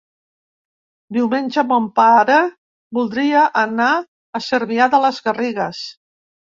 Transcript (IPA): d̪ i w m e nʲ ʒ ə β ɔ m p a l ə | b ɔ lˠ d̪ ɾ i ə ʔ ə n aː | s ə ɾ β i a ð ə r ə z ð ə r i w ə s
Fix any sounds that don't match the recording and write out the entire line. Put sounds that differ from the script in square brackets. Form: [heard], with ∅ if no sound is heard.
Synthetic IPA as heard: d̪ i w m e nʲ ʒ ə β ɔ m p a [ɾ] ə | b [u] lˠ d̪ ɾ i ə ʔ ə n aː | s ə ɾ β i a ð ə [l] ə z [ɣ] ə r i [ɣ] ə s